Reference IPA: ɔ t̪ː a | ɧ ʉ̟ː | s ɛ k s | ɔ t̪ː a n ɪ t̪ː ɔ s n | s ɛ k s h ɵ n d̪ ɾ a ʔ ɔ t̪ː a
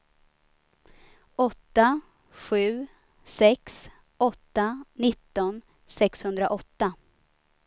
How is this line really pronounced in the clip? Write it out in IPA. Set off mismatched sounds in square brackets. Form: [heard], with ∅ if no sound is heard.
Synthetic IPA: ɔ t̪ː a | ɧ ʉ̟ː | s ɛ k s | ɔ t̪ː a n ɪ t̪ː ɔ [∅] n | s ɛ k s h ɵ n d̪ ɾ a ʔ ɔ t̪ː a